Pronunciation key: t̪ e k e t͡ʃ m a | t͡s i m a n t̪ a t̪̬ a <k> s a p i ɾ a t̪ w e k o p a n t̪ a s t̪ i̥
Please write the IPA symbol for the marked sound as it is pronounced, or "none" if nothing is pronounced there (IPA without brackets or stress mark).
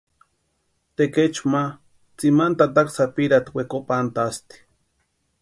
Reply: k